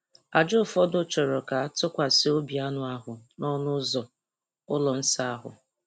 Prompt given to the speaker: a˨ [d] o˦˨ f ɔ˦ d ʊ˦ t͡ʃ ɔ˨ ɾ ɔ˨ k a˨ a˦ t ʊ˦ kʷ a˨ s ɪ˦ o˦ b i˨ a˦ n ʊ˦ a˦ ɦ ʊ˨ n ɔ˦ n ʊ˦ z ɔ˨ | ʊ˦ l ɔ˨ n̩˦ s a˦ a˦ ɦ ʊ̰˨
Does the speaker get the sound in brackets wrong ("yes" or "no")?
yes